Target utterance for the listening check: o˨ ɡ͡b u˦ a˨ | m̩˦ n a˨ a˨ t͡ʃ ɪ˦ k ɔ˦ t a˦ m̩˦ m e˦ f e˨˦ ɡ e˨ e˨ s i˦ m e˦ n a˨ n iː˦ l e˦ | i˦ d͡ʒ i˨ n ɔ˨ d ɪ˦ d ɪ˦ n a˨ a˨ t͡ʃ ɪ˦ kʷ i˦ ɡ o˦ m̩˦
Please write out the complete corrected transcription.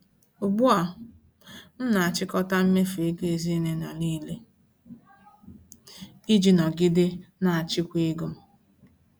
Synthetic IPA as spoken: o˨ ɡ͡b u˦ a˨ | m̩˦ n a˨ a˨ t͡ʃ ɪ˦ k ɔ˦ t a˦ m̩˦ m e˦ f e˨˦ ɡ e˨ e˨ z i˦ n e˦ n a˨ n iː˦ l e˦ | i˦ d͡ʒ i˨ n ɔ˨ ɡ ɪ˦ d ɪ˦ n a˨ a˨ t͡ʃ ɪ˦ kʷ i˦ ɡ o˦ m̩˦

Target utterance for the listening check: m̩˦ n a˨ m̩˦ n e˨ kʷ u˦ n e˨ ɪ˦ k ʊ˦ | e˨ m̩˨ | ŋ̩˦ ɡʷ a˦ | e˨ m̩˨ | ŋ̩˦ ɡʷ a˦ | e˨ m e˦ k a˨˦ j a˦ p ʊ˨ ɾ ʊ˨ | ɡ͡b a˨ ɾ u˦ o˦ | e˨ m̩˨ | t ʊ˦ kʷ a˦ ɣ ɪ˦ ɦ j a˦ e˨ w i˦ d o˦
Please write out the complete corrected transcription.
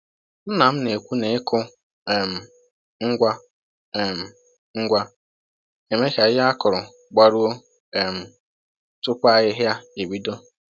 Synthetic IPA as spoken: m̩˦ n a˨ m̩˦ n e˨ kʷ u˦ n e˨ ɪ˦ k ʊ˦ | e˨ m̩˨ | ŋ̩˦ ɡʷ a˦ | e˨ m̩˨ | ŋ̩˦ ɡʷ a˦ | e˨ m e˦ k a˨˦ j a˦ k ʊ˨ ɾ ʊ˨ | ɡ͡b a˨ ɾ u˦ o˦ | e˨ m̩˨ | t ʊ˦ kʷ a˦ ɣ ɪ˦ ɦ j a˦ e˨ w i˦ d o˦

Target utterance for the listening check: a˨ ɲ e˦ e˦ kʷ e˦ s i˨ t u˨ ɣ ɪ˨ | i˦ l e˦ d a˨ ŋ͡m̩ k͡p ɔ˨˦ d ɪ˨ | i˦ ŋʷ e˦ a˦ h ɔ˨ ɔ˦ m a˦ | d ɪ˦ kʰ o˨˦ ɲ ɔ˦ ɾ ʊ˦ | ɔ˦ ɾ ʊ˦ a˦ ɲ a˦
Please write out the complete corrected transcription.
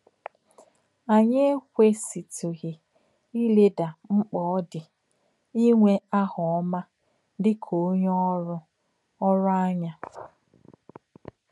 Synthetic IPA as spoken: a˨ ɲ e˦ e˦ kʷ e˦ s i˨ t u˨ ɣ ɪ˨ | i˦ l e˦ d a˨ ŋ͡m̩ k͡p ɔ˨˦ d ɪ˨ | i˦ ŋʷ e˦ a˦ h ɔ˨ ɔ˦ m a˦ | d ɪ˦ kʰ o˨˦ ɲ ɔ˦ ɾ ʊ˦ | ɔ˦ ɾ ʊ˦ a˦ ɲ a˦

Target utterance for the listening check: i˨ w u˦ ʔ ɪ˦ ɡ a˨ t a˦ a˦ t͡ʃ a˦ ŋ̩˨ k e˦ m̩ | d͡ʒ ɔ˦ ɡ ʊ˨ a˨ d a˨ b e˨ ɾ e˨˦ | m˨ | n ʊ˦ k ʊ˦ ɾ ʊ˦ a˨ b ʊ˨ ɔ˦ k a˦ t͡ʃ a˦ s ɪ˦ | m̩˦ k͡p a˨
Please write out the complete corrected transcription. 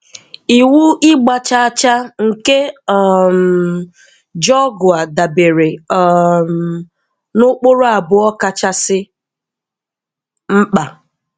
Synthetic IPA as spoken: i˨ w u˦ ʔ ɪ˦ ɡ͡b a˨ t͡ʃ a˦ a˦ t͡ʃ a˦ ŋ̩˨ k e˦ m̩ | d͡ʒ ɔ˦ ɡ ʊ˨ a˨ d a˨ b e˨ ɾ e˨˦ | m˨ | n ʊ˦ k͡p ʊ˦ ɾ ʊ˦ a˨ b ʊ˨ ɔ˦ k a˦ t͡ʃ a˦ s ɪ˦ | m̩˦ k͡p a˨

